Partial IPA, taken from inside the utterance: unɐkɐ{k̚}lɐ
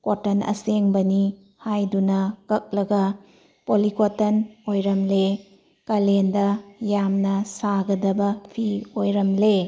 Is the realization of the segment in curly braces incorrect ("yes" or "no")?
no